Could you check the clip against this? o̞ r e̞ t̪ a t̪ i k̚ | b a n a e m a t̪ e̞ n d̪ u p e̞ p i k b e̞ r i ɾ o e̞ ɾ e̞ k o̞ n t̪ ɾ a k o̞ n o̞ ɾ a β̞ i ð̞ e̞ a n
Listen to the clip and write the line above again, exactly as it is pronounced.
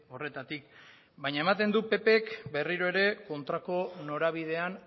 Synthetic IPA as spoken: o̞ r e̞ t̪ a t̪ i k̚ | b a ɲ a e m a t̪ e̞ n d̪ u p e̞ p e k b e̞ r i ɾ o e̞ ɾ e̞ k o̞ n t̪ ɾ a k o̞ n o̞ ɾ a β̞ i ð̞ e̞ a n